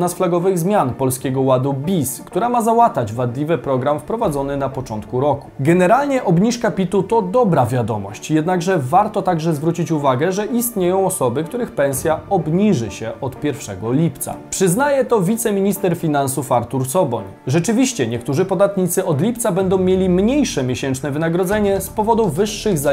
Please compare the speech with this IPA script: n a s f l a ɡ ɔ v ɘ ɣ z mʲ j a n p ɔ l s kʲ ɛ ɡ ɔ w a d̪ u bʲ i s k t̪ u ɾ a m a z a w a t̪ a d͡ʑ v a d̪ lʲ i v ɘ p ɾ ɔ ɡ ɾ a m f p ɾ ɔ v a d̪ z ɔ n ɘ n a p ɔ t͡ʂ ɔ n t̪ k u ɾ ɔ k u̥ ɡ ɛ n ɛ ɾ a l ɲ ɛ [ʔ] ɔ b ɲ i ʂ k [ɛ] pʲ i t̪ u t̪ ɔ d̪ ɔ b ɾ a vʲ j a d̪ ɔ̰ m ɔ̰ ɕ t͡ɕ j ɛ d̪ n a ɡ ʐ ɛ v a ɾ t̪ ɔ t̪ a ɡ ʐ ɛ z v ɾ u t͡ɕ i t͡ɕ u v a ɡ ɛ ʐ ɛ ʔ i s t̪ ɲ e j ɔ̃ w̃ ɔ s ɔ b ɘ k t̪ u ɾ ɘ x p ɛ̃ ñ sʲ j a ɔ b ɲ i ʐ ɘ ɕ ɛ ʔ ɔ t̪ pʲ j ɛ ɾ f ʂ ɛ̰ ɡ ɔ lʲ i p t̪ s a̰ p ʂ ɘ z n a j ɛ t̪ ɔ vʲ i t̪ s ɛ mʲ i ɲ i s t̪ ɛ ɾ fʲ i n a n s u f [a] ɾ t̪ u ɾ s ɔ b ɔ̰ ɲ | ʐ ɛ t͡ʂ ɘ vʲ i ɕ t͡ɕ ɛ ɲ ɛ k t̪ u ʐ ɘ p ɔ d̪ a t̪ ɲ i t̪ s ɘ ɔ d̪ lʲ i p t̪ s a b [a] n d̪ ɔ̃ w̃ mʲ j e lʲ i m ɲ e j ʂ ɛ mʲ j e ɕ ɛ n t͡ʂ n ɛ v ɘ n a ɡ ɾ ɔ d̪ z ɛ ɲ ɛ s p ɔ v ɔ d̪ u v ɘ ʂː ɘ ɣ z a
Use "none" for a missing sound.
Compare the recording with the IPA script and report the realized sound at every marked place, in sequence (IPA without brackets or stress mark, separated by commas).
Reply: ʔ, a, a, ɛ